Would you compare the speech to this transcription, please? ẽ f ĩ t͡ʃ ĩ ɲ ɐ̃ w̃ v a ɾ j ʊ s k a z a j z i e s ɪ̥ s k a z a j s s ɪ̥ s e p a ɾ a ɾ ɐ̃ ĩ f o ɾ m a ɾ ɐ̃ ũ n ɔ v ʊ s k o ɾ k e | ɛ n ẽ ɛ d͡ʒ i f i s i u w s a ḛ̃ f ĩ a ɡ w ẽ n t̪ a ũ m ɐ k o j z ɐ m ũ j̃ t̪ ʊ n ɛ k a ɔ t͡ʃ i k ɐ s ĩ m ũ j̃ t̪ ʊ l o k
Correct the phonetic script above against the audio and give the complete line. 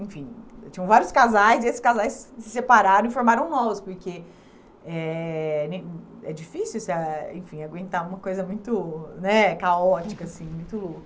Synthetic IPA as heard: ẽ f ĩ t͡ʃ ĩ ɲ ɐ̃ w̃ v a ɾ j ʊ s k a z a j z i e s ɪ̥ s k a z a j s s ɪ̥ s e p a ɾ a ɾ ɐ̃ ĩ f o ɾ m a ɾ ɐ̃ w̃ n ɔ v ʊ s p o ɾ k e | ɛ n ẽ ɛ d͡ʒ i f i s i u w s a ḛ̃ f ĩ a ɡ w ẽ n t̪ a ũ m ɐ k o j z ɐ m ũ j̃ t̪ ʊ n ɛ k a ɔ t͡ʃ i k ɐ s ĩ m ũ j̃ t̪ ʊ l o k